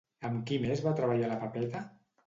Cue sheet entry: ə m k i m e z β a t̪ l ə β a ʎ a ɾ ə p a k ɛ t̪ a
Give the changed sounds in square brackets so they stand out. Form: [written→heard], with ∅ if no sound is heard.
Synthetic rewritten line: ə m k i m e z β a t̪ [l→ɾ] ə β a ʎ a [ɾ→l] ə p a [k→p] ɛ t̪ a